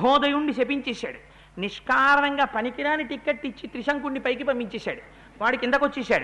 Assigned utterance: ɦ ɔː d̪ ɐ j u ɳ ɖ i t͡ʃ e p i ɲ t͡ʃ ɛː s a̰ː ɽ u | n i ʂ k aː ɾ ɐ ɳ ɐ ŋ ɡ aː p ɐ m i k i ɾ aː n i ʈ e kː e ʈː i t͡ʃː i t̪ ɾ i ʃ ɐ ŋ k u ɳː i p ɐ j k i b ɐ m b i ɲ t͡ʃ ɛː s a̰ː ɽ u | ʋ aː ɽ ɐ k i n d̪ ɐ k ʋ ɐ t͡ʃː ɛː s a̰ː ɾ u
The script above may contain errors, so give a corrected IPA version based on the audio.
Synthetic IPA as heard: ɦ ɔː d̪ ɐ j u ɳ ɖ i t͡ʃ e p i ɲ t͡ʃ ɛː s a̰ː ɽ u | n i ʂ k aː ɾ ɐ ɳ ɐ ŋ ɡ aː p ɐ n i k i ɾ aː n i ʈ i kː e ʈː i t͡ʃː i t̪ ɾ i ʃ ɐ ŋ k u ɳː i p ɐ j k i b ɐ m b i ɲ t͡ʃ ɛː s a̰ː ɽ u | ʋ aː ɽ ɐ k i n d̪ ɐ k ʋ ɐ t͡ʃː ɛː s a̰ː ɽ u